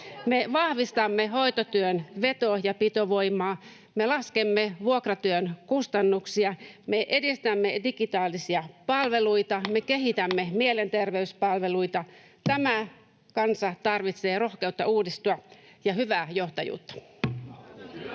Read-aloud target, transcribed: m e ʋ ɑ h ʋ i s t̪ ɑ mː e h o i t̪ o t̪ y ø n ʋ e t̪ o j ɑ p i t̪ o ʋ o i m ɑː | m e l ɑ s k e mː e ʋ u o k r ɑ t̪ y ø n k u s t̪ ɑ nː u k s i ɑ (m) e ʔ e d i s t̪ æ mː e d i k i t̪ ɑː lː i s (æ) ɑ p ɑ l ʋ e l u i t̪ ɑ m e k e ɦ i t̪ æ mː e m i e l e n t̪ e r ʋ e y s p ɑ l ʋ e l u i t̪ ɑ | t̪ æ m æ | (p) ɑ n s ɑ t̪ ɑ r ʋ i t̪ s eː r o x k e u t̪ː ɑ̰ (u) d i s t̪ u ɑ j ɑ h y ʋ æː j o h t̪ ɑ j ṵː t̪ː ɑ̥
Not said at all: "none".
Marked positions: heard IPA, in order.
m, i, k, uː

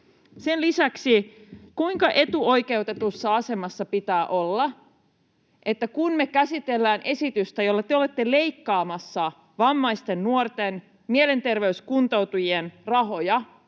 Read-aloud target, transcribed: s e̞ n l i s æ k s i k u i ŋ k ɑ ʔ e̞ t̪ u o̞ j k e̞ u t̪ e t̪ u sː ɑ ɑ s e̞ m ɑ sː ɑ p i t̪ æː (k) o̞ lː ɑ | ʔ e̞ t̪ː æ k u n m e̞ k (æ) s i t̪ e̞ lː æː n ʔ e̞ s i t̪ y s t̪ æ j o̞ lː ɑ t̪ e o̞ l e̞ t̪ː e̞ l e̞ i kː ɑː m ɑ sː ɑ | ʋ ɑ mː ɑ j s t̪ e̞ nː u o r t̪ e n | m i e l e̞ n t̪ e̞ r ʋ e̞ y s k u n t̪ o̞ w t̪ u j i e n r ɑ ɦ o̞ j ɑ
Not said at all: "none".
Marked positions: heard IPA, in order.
ʔ, æ

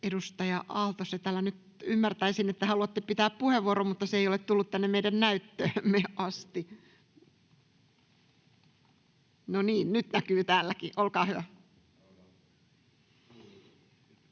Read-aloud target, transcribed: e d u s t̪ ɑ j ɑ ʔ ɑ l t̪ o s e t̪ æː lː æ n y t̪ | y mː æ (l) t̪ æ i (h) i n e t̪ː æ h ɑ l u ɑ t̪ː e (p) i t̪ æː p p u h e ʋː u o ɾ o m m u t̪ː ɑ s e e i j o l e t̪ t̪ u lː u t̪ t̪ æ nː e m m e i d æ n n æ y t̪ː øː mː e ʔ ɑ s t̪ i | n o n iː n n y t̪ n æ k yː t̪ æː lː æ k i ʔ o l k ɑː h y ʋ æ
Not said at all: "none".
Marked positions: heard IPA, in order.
r, s, p

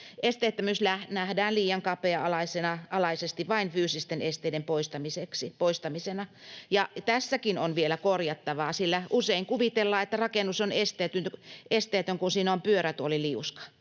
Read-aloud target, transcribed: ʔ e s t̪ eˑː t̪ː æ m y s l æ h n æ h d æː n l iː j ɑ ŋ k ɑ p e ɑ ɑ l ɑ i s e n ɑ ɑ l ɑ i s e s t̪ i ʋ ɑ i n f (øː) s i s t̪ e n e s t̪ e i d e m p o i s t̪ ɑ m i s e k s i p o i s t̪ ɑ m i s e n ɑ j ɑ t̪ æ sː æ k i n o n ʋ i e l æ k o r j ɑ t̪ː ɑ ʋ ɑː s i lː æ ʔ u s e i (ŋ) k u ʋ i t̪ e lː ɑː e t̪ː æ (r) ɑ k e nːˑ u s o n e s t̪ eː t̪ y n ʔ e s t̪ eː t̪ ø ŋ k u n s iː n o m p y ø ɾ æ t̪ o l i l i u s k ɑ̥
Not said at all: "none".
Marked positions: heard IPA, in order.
yː, ŋ, r

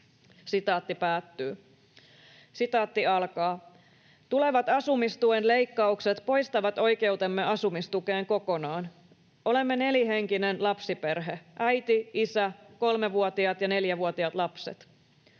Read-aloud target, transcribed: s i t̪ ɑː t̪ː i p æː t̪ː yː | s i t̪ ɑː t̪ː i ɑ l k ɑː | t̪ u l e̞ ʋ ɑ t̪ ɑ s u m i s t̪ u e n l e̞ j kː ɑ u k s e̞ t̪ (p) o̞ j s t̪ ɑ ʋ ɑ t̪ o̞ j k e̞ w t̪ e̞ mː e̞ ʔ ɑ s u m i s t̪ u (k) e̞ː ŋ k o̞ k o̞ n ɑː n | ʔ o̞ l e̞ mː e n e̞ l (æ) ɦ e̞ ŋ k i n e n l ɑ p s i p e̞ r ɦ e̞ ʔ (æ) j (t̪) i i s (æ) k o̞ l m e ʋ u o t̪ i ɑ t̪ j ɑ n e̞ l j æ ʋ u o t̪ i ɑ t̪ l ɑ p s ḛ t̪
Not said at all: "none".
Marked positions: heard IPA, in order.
p, k, i, æ, t̪, æ

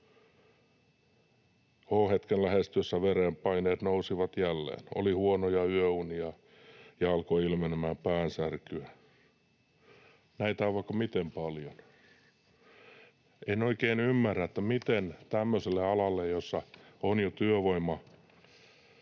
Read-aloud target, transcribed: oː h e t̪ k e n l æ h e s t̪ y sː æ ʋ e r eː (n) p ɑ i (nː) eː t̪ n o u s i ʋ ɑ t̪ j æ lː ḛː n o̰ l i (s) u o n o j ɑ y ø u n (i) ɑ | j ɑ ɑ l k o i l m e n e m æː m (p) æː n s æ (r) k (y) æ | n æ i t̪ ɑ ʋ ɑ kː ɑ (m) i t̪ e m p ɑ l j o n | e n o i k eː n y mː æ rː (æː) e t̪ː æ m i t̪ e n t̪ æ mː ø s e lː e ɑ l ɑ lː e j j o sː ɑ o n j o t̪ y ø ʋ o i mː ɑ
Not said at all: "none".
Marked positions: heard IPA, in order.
m, n, h, i, p, r, y, m, æ

